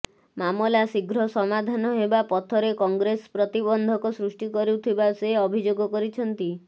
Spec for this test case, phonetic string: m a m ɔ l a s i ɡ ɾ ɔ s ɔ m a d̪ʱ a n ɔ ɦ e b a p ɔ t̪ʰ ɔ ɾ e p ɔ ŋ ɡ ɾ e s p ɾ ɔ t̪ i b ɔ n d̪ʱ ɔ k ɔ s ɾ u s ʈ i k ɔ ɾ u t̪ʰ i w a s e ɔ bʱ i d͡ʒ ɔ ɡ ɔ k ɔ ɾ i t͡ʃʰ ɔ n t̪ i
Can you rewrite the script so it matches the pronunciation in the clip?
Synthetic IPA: m a m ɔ l a s i ɡ ɾ ɔ s ɔ m a d̪ʱ a n ɔ ɦ e b a p ɔ t̪ʰ ɔ ɾ e k ɔ ŋ ɡ ɾ e s p ɾ ɔ t̪ i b ɔ n d̪ʱ ɔ k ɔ s ɾ u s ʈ i k ɔ ɾ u t̪ʰ i b a s e ɔ bʱ i d͡ʒ o ɡ ɔ k ɔ ɾ i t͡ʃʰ ɔ n t̪ i

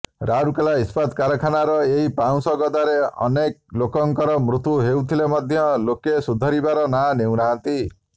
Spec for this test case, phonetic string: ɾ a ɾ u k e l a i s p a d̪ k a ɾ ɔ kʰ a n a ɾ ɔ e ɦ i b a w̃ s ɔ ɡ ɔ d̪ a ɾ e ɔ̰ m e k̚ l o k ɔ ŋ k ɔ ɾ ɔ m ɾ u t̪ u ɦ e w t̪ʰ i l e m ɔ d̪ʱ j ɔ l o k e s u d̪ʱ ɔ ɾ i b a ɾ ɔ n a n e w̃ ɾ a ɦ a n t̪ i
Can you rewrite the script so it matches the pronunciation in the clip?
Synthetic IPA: ɾ a ɾ u k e l a i s p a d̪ k a ɾ ɔ kʰ a n a ɾ ɔ e ɦ i p a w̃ s ɔ ɡ ɔ d̪ a ɾ e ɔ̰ n e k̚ l o k ɔ ŋ k ɔ ɾ ɔ m ɾ u t̪ u ɦ e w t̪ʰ i l e m ɔ d̪ʱ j ɔ l o k e s u d̪ʱ ɔ ɾ i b a ɾ ɔ n a n e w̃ ɾ a ɦ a n t̪ i

